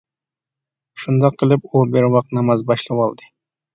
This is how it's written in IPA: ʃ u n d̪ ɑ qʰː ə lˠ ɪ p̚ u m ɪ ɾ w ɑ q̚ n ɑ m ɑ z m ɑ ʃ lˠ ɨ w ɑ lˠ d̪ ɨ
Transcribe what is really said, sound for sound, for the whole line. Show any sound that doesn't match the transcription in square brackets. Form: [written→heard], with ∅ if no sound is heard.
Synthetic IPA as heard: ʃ u n d̪ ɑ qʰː ə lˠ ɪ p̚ u [m→b] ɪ ɾ w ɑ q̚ n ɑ m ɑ z [m→b] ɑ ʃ lˠ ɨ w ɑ lˠ d̪ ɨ